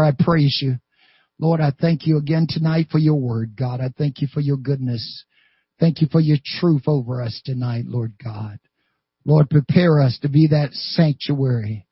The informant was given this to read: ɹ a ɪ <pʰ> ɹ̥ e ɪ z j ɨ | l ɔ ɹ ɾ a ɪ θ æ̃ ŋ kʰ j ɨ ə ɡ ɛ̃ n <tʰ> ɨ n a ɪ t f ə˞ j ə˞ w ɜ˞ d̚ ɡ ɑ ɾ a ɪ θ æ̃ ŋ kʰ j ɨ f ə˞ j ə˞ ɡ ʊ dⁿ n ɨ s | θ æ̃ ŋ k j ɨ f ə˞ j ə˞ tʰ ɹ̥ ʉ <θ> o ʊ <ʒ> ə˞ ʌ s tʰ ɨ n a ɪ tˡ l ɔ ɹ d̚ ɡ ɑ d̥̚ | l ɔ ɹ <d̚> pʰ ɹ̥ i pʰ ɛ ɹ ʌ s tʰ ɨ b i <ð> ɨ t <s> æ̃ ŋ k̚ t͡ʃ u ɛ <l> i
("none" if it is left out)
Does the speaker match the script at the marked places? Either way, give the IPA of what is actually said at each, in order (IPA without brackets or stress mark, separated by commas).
pʰ, tʰ, θ, v, d̚, ð, s, ɹ